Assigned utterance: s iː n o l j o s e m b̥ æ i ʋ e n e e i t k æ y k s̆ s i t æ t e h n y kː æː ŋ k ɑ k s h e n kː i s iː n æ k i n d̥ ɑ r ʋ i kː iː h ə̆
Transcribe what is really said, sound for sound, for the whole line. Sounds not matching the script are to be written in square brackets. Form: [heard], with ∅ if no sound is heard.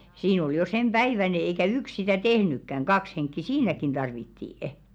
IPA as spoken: s iː n o l j o s e m b̥ æ i ʋ [æ] n e e i [∅] k æ y k s̆ s i t æ t e h n y kː [æ] ŋ k ɑ k s h e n kː i s iː n æ k i n d̥ ɑ r ʋ i [tː] iː [∅] ə̆